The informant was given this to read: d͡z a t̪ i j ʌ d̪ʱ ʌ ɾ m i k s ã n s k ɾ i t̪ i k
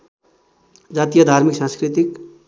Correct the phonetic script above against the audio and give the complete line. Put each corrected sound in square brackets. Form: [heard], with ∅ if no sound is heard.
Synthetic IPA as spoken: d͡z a t̪ i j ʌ d̪ʱ [a] ɾ m i k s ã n s k ɾ i t̪ i k